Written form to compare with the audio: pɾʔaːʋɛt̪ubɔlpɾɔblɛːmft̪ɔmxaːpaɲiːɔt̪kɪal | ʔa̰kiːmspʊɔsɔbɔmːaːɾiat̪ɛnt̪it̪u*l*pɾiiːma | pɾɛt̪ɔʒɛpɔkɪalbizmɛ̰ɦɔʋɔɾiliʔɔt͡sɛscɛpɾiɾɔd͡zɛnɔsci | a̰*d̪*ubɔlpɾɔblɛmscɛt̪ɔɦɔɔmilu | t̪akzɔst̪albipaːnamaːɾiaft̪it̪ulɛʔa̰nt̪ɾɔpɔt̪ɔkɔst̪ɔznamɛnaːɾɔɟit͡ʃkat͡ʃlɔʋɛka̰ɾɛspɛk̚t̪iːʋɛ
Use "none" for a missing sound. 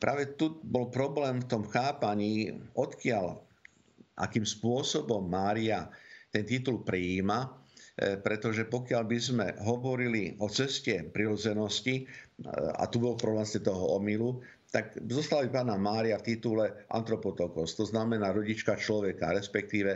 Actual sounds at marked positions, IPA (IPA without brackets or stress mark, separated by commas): l, t̪